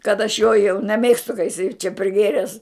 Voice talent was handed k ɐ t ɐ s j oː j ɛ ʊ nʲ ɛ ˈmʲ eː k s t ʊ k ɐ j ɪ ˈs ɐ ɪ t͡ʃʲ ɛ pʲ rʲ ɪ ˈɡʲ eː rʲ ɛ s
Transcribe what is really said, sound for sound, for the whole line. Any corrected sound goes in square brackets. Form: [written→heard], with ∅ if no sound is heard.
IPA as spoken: k ɐ t ɐ [s→ʃ] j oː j ɛ ʊ nʲ ɛ ˈmʲ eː k s t ʊ k ɐ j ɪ ˈs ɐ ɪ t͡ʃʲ ɛ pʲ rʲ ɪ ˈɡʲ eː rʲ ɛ s